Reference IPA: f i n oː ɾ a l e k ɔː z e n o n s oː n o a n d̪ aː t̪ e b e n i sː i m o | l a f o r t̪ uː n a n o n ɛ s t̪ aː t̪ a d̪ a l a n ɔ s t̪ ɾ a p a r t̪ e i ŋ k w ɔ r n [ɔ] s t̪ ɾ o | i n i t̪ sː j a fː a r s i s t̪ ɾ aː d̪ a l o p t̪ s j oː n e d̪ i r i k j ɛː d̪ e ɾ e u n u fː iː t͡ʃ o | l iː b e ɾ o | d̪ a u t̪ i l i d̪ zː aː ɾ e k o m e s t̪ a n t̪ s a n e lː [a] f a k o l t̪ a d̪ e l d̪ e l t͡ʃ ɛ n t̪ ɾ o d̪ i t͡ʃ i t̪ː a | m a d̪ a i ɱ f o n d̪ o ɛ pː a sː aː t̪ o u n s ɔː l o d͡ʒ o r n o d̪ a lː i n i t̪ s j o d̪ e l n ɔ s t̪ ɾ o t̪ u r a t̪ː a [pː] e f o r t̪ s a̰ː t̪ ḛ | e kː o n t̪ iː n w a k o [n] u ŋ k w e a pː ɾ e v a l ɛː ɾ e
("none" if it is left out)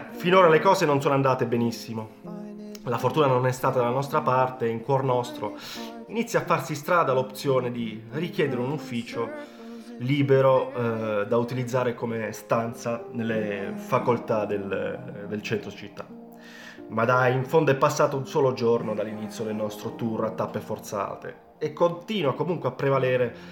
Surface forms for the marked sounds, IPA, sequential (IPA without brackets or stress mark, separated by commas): ɔ, e, pː, m